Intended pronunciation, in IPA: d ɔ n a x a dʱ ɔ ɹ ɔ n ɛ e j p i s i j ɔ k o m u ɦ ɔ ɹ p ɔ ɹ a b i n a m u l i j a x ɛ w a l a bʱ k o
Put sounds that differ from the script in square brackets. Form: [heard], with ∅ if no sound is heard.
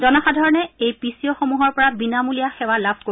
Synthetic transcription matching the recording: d ɔ n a x a dʱ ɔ ɹ ɔ n ɛ e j p i s i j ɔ [x] o m u ɦ ɔ ɹ p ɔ ɹ a b i n a m u l i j a x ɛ w a l a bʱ k o